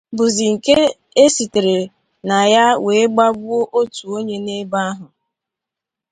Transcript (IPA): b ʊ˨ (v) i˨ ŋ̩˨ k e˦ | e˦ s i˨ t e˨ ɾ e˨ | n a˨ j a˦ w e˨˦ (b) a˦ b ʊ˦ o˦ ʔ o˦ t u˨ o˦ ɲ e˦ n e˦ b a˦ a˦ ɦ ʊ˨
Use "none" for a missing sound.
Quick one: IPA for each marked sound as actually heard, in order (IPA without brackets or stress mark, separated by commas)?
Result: z, ɡ͡b